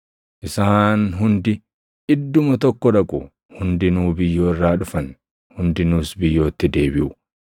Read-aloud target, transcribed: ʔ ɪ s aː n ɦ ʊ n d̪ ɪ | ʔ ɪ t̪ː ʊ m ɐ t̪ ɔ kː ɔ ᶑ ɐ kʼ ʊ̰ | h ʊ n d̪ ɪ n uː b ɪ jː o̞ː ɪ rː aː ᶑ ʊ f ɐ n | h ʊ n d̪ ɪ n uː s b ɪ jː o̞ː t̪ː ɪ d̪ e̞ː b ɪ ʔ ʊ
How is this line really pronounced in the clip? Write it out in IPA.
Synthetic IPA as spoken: ʔ ɪ s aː n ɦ ʊ n d̪ ɪ | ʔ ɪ d̪ː ʊ m ɐ t̪ ɔ kː ɔ ᶑ ɐ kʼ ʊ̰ | h ʊ n d̪ ɪ n uː b ɪ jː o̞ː ɪ rː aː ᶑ ʊ f ɐ n | h ʊ n d̪ ɪ n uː s b ɪ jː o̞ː t̪ː ɪ d̪ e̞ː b ɪ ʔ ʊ